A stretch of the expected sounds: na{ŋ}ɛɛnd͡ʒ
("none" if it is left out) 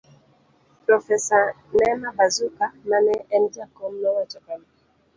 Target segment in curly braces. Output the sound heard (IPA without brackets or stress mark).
n